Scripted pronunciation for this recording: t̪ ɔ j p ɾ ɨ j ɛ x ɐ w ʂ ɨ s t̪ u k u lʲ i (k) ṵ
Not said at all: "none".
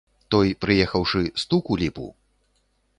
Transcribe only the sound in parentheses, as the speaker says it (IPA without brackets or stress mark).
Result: p